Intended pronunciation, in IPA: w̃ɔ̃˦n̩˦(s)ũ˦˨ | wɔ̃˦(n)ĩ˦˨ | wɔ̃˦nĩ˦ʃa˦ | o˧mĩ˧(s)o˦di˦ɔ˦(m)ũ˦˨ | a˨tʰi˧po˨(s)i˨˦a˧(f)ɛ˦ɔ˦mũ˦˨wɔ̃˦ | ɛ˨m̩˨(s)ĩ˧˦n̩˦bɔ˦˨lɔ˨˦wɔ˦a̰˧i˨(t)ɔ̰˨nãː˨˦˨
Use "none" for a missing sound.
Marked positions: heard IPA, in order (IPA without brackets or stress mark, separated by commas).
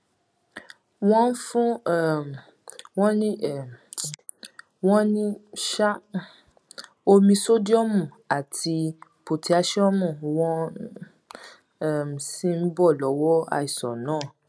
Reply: f, n, s, m, t, ʃ, s, s